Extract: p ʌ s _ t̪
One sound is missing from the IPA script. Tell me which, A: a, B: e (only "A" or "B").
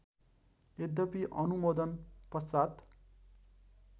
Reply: A